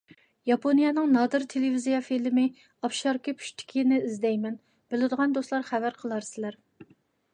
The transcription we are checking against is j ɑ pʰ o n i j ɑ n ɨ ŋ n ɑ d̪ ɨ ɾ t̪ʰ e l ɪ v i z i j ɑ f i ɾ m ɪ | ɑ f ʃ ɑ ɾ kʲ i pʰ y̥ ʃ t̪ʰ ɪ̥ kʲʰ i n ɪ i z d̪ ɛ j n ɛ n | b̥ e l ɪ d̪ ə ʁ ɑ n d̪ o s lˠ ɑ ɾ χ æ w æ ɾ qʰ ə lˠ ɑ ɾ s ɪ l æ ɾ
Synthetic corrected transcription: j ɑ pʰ o n i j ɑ n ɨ ŋ n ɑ d̪ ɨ ɾ t̪ʰ e l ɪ v i z i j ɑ f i l m ɪ | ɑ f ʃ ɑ ɾ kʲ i pʰ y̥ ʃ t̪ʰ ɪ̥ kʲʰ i n ɪ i z d̪ ɛ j m ɛ n | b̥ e l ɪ d̪ ə ʁ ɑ n d̪ o s lˠ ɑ ɾ χ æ v æ ɾ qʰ ə lˠ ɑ ɾ s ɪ l æ ɾ